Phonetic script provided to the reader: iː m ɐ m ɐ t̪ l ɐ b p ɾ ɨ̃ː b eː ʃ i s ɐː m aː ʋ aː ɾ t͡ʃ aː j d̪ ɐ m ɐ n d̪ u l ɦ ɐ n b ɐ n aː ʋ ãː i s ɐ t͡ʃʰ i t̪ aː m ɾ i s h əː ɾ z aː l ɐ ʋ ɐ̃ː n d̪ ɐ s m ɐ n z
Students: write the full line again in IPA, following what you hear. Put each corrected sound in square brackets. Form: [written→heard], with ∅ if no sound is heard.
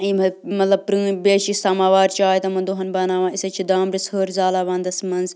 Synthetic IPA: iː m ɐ m ɐ t̪ l ɐ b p ɾ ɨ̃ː b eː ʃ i s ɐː m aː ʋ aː ɾ t͡ʃ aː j [d̪→t̪] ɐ m ɐ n d̪ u [l→∅] ɦ ɐ n b ɐ n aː ʋ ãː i s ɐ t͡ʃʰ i [t̪→d̪] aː m ɾ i s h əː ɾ z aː l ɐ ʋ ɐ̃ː n d̪ ɐ s m ɐ n z

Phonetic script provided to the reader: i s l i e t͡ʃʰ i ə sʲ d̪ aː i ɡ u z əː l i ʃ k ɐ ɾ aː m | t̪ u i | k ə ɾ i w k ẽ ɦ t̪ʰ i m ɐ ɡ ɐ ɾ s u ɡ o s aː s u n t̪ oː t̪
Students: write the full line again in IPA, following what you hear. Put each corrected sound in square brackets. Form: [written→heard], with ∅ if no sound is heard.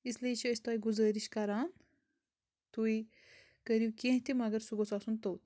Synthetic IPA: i s l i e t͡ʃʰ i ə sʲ [d̪→t̪] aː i ɡ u z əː [l→ɾ] i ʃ k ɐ ɾ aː [m→n] | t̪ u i | k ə ɾ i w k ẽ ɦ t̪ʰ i m ɐ ɡ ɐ ɾ s u ɡ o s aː s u n t̪ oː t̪

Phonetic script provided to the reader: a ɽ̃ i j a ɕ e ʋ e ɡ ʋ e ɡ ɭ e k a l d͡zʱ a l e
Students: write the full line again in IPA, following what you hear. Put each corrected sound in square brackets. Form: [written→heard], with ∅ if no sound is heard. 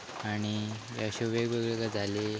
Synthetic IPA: a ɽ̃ i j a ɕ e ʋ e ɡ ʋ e ɡ ɭ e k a [l→∅] d͡zʱ a l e

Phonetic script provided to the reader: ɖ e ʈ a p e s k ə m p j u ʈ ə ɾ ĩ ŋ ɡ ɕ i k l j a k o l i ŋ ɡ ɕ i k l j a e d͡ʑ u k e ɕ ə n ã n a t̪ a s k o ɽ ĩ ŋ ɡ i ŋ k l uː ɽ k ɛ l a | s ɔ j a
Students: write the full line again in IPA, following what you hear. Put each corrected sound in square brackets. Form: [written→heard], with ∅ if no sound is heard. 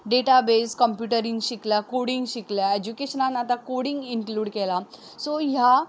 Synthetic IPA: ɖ e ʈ a [p→b] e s k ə m p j u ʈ ə ɾ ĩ ŋ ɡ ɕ i k l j a k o [l→ɽ] i ŋ ɡ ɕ i k l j a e d͡ʑ u k e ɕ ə n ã n a t̪ a [s→∅] k o ɽ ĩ ŋ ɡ i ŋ k l uː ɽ k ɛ l a | s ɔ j a

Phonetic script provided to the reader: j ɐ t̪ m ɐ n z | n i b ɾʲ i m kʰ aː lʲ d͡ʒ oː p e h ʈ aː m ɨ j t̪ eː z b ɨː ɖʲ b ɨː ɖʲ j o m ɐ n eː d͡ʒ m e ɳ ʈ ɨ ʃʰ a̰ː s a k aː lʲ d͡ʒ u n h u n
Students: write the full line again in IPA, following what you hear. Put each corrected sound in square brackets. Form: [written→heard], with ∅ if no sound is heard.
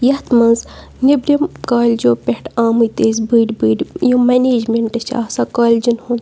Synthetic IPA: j ɐ t̪ m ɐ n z | n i b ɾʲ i m [kʰ→k] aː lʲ d͡ʒ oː p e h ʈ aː m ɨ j t̪ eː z b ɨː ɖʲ b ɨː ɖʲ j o m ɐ n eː d͡ʒ m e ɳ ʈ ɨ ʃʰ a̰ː s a k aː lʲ d͡ʒ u n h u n

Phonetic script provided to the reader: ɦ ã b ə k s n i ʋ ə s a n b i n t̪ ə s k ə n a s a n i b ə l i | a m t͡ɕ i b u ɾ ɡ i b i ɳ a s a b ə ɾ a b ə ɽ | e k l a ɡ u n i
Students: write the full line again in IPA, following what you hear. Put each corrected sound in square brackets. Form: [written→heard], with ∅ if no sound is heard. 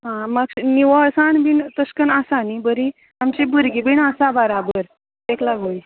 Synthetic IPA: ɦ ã [b→m] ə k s n i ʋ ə s a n b i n t̪ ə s k ə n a s a n i b ə [l→ɾ] i | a m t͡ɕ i b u ɾ ɡ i b i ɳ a s a b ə ɾ a b ə [ɽ→ɾ] | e k l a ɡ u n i

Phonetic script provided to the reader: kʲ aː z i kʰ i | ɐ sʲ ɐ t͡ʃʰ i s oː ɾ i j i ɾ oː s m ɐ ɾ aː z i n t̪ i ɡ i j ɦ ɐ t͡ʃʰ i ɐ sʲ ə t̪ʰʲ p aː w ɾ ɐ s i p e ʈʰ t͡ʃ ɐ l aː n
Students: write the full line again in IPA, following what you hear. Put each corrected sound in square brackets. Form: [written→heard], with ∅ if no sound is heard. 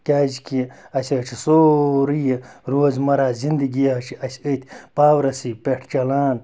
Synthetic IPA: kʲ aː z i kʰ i | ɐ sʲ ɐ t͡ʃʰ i s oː ɾ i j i ɾ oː [s→z] m ɐ ɾ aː z i n [t̪→d̪] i ɡ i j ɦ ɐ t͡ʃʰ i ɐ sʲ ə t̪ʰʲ p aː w ɾ ɐ s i p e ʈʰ t͡ʃ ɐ l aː n

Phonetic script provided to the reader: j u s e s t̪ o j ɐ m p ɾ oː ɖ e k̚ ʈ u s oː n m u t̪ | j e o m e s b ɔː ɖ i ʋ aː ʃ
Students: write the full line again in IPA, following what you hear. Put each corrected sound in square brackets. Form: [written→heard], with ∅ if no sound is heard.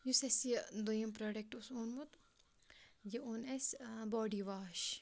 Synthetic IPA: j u s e s [t̪→d̪] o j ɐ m p ɾ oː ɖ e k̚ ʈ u s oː n m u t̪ | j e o [m→n] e s b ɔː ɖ i ʋ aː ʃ

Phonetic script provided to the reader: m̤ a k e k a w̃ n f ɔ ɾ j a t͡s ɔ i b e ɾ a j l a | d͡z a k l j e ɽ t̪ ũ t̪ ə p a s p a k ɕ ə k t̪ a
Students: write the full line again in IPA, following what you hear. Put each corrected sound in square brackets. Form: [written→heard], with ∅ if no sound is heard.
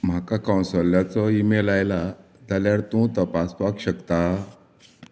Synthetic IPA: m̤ a k [e→a] k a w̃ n [f→s] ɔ [ɾ→l] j a t͡s ɔ i [b→m] e [ɾ→l] a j l a | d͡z a [k→∅] l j [e→a] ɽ t̪ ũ t̪ ə p a s p a k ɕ ə k t̪ a

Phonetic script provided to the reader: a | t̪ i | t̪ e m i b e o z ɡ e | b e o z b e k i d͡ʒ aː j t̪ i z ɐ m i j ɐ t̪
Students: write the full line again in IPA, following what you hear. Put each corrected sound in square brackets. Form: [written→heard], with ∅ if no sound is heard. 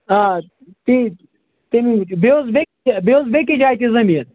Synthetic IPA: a | t̪ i | t̪ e m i b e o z [ɡ→b] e | b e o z b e k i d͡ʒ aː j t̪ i z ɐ m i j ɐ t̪

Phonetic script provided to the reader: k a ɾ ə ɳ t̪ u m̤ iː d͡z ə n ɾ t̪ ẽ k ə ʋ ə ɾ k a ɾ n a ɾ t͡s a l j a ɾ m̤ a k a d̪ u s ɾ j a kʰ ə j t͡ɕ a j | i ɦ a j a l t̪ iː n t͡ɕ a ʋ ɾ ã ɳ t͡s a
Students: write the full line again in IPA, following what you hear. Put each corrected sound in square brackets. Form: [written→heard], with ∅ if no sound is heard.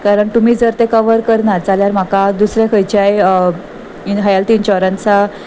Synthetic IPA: k a ɾ ə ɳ t̪ u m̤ iː d͡z ə [n→∅] ɾ t̪ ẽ k ə ʋ ə ɾ k [a→ə] ɾ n a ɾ t͡s a l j a ɾ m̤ a k a d̪ u s ɾ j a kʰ ə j t͡ɕ a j | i ɦ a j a l t̪ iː n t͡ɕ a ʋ ɾ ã [ɳ→n] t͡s a

